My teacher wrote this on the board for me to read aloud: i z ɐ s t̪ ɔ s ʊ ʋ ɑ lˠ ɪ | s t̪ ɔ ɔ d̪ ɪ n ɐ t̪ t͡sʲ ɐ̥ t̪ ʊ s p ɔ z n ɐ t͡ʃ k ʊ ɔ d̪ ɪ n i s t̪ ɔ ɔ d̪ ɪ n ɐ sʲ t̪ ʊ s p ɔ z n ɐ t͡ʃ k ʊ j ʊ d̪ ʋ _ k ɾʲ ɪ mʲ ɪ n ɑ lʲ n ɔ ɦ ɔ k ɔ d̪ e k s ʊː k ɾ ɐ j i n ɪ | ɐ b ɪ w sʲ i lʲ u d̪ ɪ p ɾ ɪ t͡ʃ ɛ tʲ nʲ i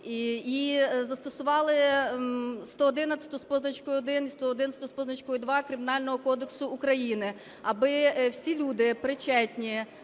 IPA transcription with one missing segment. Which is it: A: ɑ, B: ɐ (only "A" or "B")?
A